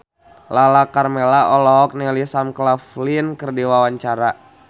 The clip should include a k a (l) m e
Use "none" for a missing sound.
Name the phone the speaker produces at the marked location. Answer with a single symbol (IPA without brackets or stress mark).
r